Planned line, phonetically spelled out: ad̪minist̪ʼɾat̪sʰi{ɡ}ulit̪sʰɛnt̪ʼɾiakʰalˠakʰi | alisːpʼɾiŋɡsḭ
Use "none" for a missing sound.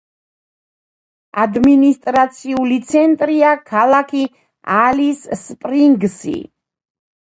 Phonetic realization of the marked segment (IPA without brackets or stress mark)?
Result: none